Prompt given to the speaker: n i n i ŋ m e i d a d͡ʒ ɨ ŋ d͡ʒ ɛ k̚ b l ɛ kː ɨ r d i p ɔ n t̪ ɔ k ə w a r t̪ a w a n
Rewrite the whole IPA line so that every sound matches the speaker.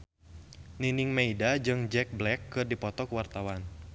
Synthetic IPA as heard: n i n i ŋ m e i d a d͡ʒ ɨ ŋ d͡ʒ ɛ k̚ b l ɛ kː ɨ r d i p ɔ t̪ ɔ k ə w a r t̪ a w a n